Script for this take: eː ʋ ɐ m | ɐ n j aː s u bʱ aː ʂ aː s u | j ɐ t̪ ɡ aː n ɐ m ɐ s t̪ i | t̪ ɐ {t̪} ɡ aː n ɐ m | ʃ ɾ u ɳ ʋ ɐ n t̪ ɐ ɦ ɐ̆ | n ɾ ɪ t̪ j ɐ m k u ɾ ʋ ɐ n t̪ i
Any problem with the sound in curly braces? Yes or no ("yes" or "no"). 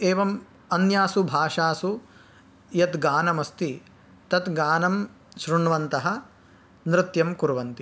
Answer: no